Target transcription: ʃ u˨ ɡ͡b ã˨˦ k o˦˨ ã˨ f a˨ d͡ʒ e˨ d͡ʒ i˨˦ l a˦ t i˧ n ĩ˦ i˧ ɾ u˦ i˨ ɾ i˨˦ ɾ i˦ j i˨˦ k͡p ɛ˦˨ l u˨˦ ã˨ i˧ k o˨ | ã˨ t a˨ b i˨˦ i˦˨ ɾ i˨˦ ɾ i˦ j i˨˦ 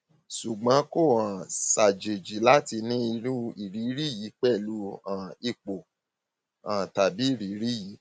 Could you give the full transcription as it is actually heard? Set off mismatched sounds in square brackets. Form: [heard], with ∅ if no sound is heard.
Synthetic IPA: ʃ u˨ ɡ͡b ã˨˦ k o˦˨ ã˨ [s] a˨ d͡ʒ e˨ d͡ʒ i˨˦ l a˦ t i˧ n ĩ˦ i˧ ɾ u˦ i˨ ɾ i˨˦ ɾ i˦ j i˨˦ k͡p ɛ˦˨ l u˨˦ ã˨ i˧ [k͡p] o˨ | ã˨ t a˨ b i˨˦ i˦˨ ɾ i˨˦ ɾ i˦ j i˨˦